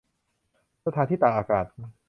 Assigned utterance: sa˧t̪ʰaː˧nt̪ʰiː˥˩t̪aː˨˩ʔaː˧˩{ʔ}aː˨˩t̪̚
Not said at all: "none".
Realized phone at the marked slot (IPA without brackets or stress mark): k